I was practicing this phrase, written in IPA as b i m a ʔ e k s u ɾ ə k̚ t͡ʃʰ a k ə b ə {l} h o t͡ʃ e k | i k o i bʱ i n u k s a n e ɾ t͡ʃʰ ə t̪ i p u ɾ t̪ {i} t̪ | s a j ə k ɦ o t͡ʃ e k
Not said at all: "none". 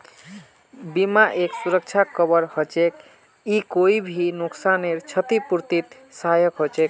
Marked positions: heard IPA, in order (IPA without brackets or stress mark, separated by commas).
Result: ɾ, i